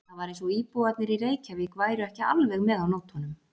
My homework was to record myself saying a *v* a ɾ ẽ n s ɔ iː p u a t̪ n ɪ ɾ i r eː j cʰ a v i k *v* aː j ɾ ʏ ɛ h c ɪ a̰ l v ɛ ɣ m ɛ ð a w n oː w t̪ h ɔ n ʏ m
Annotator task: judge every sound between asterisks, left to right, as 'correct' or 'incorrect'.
correct, correct

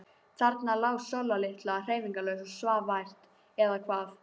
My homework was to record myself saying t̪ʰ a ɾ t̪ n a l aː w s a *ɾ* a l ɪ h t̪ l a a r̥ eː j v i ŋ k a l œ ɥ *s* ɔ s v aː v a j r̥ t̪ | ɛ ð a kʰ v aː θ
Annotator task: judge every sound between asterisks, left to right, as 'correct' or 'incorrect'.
incorrect: l, correct

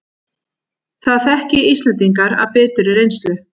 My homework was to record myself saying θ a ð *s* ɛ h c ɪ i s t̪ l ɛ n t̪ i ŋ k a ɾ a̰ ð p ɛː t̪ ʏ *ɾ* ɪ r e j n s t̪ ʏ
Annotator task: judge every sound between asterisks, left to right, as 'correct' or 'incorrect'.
incorrect: θ, correct

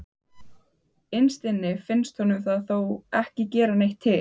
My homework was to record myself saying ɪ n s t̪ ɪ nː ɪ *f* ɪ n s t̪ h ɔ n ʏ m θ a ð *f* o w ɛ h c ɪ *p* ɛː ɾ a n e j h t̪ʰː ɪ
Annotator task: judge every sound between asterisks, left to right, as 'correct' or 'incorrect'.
correct, incorrect: θ, incorrect: c

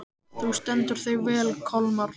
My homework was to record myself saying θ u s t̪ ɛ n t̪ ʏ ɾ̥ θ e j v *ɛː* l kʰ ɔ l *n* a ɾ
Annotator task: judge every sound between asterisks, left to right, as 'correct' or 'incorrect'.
correct, incorrect: m

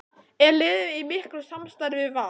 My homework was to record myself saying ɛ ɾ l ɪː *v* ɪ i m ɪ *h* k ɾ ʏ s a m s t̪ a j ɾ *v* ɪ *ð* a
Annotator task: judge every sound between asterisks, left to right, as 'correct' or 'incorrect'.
incorrect: ð, correct, correct, incorrect: v

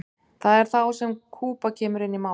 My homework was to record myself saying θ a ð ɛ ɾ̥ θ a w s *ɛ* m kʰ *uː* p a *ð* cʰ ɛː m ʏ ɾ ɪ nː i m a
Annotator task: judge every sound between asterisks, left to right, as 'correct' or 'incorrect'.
correct, correct, incorrect: none

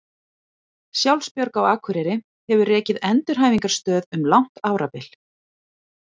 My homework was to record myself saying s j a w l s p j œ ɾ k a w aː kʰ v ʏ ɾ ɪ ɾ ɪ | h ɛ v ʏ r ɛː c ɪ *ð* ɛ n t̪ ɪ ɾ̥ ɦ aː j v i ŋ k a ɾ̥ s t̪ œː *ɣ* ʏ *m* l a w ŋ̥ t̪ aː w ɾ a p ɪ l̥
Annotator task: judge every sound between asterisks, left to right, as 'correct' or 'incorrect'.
correct, incorrect: ð, correct

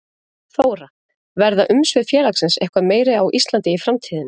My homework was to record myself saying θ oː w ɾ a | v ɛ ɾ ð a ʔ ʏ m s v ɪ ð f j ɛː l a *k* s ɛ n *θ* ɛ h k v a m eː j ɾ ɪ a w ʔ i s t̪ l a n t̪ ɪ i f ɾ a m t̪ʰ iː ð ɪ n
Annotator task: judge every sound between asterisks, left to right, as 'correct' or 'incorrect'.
correct, incorrect: s

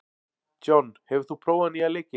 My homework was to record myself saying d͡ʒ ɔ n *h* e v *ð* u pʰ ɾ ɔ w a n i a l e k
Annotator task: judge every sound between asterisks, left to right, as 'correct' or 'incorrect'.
correct, incorrect: θ

